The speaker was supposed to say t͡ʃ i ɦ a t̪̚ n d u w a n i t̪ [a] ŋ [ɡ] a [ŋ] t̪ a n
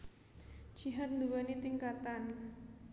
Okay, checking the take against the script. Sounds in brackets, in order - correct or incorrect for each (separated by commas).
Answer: incorrect, incorrect, incorrect